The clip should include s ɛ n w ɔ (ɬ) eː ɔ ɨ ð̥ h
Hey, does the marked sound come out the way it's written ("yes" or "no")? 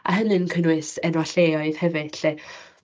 yes